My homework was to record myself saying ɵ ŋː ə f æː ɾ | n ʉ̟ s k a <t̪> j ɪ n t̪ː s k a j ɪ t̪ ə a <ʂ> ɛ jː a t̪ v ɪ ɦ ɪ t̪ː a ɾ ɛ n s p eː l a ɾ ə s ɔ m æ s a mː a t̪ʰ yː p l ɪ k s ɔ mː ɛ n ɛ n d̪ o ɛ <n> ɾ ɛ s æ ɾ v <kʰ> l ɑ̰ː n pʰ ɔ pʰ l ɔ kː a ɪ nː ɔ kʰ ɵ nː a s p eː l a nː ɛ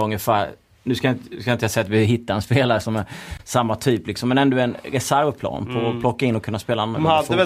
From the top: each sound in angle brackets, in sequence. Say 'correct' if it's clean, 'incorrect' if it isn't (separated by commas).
incorrect, incorrect, correct, incorrect